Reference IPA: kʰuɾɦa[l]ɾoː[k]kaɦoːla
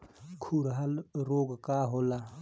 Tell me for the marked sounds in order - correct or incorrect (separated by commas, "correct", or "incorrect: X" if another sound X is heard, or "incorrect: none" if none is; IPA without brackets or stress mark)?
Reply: correct, incorrect: ɡ